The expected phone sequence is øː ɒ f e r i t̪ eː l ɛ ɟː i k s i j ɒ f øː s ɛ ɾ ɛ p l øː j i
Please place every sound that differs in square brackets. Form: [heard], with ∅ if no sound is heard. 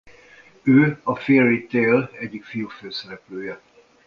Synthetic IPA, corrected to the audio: øː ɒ f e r i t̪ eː l ɛ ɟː i k [f] i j [u] f øː s ɛ ɾ ɛ p l øː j [ɛ]